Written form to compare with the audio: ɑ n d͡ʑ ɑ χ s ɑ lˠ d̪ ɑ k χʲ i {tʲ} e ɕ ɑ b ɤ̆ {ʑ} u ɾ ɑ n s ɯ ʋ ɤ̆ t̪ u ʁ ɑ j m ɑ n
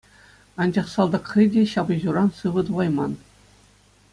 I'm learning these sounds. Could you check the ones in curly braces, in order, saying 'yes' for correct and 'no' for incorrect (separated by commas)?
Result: no, yes